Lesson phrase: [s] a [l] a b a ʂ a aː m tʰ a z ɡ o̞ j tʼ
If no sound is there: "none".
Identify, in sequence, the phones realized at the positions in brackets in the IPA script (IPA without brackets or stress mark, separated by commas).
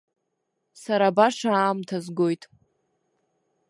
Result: s, ɾ